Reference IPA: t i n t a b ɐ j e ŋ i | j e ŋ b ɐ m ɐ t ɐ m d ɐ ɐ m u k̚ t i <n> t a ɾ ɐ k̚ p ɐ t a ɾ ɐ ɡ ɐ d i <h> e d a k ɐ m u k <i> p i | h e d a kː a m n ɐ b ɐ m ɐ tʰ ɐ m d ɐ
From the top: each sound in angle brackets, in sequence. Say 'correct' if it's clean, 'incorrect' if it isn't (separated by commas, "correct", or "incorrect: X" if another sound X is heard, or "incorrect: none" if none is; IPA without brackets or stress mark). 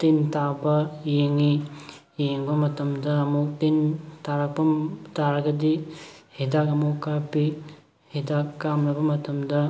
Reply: correct, correct, incorrect: a